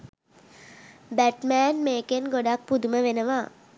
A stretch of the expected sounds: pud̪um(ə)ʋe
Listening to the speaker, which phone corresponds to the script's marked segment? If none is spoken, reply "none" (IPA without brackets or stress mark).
ə